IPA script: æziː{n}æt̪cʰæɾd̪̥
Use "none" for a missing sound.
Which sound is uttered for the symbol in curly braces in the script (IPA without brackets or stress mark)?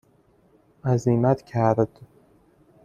m